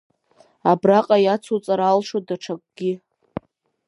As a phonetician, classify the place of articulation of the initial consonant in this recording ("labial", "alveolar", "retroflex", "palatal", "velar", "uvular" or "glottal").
labial